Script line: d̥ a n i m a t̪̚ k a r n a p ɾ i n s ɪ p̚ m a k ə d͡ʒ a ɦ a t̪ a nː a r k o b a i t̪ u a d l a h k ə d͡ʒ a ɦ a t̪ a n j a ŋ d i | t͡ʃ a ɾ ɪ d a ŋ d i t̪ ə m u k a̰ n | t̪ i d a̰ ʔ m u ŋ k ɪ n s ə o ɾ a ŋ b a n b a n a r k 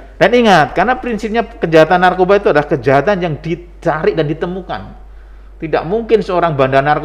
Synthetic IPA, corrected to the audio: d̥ a n i ŋ a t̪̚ k a r n a p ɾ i n s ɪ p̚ ɲ a k ə d͡ʒ a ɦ a t̪ a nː a r k o b a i t̪ u a d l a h k ə d͡ʒ a ɦ a t̪ a n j a ŋ d i | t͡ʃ a ɾ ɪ d a n d i t̪ ə m u k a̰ n | t̪ i d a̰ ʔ m u ŋ k ɪ n s ə o ɾ a ŋ b a n d a n a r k